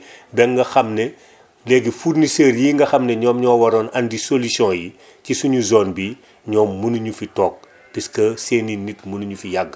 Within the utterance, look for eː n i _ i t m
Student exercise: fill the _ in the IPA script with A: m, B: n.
B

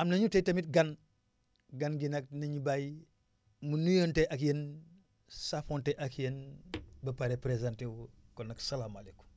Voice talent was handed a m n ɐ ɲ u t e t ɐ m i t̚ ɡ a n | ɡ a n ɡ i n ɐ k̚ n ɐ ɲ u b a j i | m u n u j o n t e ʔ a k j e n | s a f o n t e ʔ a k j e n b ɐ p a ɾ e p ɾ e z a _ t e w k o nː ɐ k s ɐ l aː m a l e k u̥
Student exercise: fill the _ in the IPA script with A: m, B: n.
B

